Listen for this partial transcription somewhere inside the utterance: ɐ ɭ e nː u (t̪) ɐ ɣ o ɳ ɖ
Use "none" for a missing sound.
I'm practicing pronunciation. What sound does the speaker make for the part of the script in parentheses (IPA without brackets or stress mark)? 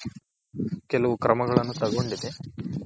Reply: t̪